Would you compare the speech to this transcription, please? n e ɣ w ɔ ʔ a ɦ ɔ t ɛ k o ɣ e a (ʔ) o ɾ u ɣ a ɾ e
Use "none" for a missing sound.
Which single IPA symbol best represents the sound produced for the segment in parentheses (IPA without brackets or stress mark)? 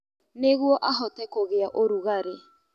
ʔ